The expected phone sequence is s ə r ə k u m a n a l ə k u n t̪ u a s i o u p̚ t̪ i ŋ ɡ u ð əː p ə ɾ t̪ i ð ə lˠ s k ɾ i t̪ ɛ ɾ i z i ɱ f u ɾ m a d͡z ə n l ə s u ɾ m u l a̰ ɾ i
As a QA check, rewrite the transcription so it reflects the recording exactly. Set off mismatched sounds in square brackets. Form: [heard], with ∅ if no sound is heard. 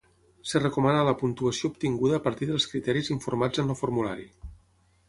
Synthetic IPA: s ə r ə k u m a n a l ə [p] u n t̪ u [ə] s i o u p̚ t̪ i ŋ ɡ u ð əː p ə ɾ t̪ i ð ə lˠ s k ɾ i t̪ ɛ ɾ i z i ɱ f u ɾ m a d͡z ə n l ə [f] u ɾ m u l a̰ ɾ i